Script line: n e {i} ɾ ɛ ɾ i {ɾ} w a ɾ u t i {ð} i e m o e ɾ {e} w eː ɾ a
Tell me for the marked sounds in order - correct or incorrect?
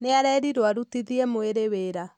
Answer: incorrect, correct, correct, correct

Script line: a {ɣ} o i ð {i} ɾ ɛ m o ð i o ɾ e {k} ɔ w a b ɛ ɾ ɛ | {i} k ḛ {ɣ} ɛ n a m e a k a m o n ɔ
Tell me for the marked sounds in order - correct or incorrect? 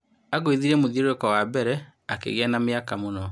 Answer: correct, correct, correct, incorrect, correct

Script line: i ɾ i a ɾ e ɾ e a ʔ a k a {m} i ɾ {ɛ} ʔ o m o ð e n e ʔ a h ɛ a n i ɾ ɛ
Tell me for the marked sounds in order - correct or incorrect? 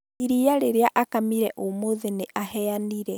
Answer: correct, correct

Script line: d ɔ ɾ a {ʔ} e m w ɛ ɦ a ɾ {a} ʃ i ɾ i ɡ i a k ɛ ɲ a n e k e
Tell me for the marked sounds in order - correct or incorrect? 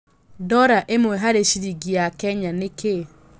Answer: correct, incorrect

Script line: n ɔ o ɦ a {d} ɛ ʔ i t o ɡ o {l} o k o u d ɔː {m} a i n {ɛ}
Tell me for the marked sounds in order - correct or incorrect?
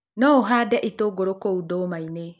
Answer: correct, incorrect, correct, incorrect

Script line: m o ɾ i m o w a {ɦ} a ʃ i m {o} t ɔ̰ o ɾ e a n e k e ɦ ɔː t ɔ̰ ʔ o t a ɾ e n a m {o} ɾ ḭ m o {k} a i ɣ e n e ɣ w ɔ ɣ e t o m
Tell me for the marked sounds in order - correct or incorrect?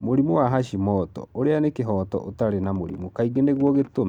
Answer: correct, incorrect, correct, correct

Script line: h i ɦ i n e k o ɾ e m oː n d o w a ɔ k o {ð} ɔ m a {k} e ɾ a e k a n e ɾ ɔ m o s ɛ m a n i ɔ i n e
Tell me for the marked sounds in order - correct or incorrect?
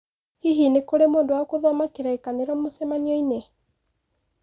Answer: correct, correct

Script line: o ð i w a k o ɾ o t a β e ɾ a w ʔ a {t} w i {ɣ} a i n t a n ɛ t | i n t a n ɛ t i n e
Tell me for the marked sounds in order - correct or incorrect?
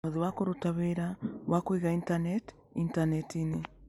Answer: incorrect, correct

